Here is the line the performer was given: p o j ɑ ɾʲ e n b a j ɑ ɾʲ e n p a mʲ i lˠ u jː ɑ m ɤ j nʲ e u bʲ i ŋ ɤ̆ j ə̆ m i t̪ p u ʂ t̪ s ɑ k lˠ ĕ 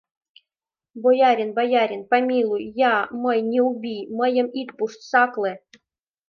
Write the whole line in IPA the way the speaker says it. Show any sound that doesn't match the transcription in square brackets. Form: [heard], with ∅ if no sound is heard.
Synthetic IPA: [b] o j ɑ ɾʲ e n b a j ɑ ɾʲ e n p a mʲ i lˠ u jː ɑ m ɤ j nʲ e u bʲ i [m] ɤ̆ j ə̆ m i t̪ p u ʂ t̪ s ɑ k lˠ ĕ